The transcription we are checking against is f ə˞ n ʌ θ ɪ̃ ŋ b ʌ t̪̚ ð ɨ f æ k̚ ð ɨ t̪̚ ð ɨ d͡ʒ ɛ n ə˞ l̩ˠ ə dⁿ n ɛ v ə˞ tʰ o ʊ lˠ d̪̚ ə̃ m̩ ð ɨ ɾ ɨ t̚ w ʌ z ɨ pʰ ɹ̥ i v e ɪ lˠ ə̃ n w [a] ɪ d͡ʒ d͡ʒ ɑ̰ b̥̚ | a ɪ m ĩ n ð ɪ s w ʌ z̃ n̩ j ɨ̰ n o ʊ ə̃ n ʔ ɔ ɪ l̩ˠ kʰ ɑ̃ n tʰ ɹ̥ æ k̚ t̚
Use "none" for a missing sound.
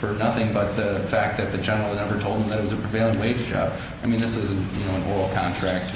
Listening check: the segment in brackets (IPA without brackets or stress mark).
e